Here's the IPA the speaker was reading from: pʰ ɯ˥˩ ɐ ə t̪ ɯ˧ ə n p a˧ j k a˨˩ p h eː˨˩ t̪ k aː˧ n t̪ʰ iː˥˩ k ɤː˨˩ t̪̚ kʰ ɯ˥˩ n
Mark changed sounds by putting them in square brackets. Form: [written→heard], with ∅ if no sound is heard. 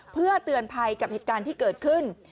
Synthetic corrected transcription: pʰ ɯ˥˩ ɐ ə t̪ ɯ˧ ə n [p→pʰ] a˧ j k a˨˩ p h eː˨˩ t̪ k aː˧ n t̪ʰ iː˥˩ k ɤː˨˩ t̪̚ kʰ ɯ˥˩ n